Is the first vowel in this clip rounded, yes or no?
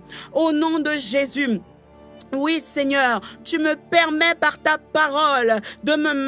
yes